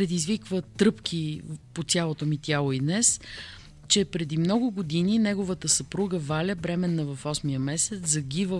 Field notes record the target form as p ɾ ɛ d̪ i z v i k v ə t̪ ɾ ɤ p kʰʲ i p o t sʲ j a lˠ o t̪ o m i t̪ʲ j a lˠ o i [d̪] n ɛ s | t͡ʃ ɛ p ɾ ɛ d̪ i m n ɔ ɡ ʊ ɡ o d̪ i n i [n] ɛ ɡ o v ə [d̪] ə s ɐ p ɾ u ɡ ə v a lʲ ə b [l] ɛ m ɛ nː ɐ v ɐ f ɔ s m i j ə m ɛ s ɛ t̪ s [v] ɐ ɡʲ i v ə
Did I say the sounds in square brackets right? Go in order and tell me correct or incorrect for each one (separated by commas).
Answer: correct, correct, incorrect, incorrect, incorrect